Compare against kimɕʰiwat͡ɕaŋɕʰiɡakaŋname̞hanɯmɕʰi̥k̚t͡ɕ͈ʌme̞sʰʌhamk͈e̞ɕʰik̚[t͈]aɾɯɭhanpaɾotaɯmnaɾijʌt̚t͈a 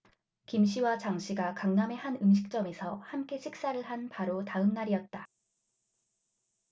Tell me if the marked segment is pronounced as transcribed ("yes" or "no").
no